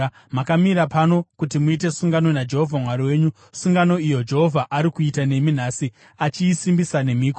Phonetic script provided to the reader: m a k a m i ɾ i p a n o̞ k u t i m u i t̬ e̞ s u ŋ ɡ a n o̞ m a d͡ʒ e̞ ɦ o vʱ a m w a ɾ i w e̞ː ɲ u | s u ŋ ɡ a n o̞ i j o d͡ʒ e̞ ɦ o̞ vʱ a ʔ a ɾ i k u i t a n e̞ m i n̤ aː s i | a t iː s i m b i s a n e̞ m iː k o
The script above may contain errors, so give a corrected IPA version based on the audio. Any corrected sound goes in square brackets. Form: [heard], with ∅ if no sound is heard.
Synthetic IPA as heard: m a k a m i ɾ [a] p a n o̞ k u t i m u i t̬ e̞ s u ŋ ɡ a n o̞ [n] a d͡ʒ e̞ ɦ o vʱ a m w a ɾ i w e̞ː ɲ u | s u ŋ ɡ a n o̞ i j o d͡ʒ e̞ ɦ o̞ vʱ a ʔ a ɾ i k u i t a n e̞ m i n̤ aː s i | a [t͡ʃ] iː s i m b i s a n e̞ m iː k o